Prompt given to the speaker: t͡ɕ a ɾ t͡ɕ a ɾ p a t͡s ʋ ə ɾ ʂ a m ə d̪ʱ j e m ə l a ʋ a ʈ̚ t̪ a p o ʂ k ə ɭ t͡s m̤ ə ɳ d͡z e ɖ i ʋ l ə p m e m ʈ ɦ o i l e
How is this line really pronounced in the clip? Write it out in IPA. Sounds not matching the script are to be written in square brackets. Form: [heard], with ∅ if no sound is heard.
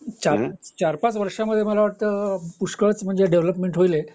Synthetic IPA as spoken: t͡ɕ a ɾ t͡ɕ a ɾ p a t͡s ʋ ə ɾ ʂ a m ə d̪ʱ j e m ə l a ʋ a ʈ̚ t̪ [ə] p [u] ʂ k ə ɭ t͡s m̤ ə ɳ d͡z e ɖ [e] ʋ l ə p m e [ɳ] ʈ ɦ o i l e